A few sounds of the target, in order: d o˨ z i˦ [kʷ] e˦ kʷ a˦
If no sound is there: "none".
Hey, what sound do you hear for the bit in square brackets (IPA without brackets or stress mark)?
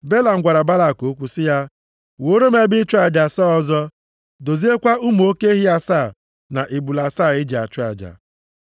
none